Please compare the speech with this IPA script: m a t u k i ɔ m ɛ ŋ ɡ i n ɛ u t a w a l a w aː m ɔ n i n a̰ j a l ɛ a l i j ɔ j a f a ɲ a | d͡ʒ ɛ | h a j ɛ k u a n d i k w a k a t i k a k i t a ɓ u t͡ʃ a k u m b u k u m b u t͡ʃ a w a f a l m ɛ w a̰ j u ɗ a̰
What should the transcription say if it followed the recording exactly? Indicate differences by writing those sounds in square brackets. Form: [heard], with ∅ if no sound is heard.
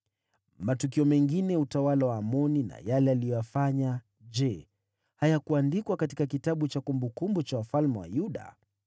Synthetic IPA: m a t u k i ɔ m ɛ ŋ ɡ i n ɛ u t a w a l a w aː m ɔ n i n a̰ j a l ɛ a l i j ɔ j a f a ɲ a | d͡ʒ ɛ | h a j [a] k u a n d i k w a k a t i k a k i t a ɓ u t͡ʃ a k u m b u k u m b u t͡ʃ a w a f a l m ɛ w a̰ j u ɗ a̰